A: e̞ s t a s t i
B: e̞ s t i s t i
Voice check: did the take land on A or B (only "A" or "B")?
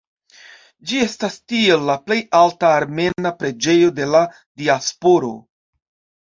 A